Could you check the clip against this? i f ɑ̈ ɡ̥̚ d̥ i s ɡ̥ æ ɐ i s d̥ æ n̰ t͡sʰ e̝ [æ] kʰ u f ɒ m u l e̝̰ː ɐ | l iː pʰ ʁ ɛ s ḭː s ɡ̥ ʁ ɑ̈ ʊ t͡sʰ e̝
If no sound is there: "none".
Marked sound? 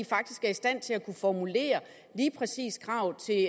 æ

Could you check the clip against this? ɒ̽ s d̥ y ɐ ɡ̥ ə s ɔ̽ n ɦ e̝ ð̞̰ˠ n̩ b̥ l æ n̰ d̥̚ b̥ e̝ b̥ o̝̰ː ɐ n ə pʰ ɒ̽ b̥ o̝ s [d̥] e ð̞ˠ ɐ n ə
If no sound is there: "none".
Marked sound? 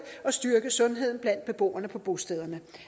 d̥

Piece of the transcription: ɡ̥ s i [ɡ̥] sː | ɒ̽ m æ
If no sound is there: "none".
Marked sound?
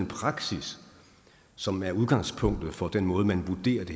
none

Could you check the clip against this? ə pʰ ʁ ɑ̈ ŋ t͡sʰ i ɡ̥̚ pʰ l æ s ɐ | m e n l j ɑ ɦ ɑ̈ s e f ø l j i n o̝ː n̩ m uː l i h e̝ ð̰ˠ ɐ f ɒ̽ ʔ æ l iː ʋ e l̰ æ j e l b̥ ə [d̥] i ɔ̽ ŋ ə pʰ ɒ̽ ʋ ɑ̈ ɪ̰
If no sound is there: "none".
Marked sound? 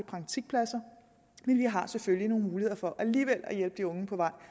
d̥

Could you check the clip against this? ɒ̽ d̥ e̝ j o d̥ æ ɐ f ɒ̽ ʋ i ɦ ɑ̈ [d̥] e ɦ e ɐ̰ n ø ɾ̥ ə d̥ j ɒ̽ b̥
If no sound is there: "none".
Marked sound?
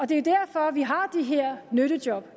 d̥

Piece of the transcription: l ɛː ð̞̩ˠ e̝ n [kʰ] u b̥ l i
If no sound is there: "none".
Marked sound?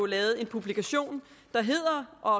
pʰ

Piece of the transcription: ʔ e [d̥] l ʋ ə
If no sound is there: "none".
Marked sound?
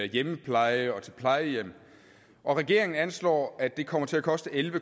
none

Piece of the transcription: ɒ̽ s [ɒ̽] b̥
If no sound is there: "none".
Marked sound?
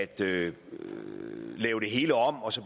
ɒ̽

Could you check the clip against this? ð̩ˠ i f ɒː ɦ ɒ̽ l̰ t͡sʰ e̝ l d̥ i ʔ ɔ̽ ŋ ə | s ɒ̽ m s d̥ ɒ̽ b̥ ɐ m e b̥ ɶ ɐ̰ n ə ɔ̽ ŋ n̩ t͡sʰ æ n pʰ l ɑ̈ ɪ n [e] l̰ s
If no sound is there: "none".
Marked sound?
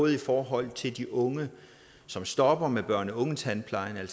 æ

